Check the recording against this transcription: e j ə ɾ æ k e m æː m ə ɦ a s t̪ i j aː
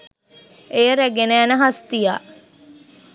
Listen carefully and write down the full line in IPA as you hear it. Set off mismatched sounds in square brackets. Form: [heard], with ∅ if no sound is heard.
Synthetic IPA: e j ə ɾ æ [ɡ] e [n] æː [n] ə ɦ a s t̪ i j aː